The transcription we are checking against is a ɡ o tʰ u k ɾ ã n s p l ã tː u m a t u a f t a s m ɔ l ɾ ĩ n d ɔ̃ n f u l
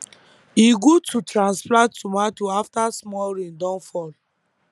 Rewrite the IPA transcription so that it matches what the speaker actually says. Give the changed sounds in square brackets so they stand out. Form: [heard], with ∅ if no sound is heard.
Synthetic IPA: [i] ɡ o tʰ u [t] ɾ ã n s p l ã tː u m a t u a f t a s m ɔ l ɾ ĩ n d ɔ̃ n f [ɔ] l